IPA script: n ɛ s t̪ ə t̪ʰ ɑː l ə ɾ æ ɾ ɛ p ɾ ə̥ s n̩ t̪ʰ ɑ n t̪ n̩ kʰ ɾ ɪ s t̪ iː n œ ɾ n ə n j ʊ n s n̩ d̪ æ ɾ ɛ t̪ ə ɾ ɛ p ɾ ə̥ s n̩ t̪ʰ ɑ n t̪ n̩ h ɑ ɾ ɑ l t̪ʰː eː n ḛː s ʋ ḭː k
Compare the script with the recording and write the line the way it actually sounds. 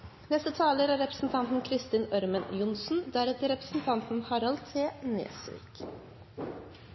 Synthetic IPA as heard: n ɛ s t̪ ə t̪ʰ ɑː l ə ɾ æ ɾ ɛ p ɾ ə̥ s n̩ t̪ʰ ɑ n t̪ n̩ kʰ ɾ ɪ s t̪ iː n œ ɾ m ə n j ʊ n s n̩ d̪ æ ɾ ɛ t̪ ə ɾ ɛ p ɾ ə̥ s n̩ t̪ʰ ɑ n t̪ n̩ h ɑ ɾ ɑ l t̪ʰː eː n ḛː s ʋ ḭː k